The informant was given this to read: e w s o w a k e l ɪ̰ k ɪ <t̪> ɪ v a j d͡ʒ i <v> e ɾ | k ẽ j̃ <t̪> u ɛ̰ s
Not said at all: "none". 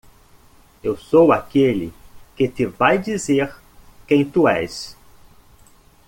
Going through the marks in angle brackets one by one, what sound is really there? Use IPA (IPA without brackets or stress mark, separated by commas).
t̪, z, t̪